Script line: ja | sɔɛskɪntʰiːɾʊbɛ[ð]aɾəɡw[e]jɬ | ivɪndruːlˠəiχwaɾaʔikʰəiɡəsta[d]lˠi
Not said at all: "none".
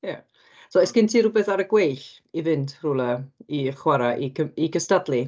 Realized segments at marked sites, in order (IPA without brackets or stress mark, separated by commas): θ, e, d